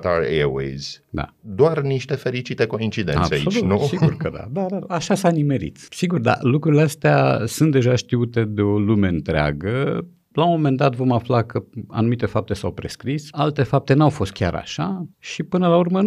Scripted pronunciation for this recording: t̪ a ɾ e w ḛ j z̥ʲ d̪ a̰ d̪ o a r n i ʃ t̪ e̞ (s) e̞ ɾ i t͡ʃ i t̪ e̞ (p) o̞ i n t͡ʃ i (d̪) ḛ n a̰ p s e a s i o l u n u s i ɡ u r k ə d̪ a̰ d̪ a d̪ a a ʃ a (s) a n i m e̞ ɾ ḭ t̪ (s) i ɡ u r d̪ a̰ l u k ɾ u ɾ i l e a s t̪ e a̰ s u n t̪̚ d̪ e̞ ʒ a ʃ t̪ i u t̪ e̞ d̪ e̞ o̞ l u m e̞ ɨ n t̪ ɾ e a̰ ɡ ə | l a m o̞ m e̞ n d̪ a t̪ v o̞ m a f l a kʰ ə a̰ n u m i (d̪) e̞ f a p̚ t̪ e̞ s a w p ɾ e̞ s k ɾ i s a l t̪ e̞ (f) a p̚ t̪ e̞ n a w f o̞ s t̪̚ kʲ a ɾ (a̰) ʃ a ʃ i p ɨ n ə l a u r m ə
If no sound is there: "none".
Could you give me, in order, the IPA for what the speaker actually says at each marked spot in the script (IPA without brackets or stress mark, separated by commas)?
f, k, d̪, s, s, t̪, f, a̰